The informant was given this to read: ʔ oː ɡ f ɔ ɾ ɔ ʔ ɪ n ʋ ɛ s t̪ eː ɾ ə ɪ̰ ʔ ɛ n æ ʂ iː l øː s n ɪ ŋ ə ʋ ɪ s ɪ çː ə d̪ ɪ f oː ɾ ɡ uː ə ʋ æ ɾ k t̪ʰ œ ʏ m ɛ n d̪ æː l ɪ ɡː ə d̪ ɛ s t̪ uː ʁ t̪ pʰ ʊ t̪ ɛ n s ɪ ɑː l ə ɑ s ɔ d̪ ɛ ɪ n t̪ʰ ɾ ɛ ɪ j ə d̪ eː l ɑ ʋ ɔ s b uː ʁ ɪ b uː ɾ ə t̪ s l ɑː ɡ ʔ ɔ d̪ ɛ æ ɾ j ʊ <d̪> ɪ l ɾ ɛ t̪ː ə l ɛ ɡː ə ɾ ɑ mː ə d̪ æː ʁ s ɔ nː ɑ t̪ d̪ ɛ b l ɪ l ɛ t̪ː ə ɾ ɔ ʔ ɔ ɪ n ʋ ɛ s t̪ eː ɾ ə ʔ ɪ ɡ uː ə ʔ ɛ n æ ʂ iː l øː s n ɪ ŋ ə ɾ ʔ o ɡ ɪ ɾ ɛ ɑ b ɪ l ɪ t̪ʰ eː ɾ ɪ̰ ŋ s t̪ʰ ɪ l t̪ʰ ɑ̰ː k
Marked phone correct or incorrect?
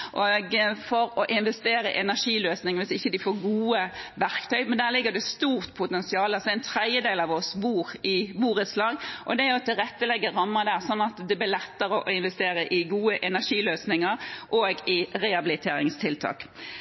incorrect